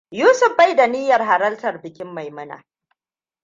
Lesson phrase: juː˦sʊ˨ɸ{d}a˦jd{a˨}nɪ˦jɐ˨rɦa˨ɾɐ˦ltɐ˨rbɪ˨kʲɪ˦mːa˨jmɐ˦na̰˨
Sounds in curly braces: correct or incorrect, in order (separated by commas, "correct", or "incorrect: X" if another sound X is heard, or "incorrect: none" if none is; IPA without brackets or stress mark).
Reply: incorrect: b, correct